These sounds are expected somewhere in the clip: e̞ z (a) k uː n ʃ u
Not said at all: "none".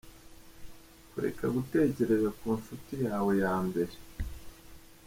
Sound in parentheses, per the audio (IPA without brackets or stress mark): a